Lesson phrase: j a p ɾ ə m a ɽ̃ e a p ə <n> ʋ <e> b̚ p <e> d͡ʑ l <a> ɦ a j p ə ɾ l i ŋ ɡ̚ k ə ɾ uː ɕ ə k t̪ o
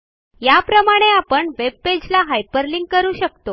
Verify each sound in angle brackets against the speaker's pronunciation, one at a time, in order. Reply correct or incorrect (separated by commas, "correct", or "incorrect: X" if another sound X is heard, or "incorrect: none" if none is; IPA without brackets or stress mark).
incorrect: ɳ, correct, correct, correct